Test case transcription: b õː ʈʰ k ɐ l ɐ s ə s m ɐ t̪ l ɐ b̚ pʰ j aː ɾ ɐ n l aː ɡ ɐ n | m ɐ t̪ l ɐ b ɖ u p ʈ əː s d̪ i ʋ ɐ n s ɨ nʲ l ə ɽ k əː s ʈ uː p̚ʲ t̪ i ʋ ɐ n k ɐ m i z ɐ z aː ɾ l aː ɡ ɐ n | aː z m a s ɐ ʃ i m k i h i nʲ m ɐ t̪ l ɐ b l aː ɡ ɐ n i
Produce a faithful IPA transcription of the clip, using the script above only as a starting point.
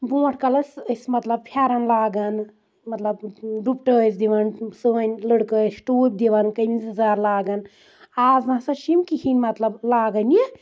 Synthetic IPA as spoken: b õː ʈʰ k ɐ l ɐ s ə s m ɐ t̪ l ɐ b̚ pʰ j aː ɾ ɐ n l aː ɡ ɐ n | m ɐ t̪ l ɐ b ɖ u p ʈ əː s d̪ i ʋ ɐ n s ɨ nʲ l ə ɽ k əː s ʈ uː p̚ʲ d̪ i ʋ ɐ n k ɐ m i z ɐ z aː ɾ l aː ɡ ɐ n | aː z n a s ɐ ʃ i m k i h i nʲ m ɐ t̪ l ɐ b l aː ɡ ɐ n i